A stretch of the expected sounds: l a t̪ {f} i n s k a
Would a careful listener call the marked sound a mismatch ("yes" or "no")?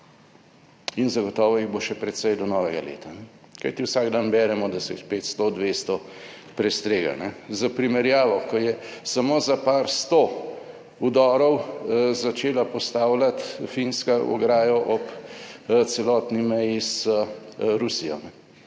no